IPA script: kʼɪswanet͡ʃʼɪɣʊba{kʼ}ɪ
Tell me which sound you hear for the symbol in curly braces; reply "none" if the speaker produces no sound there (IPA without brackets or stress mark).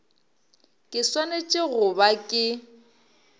kʼ